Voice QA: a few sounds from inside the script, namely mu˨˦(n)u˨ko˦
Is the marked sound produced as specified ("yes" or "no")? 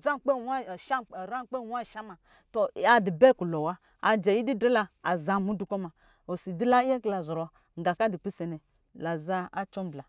no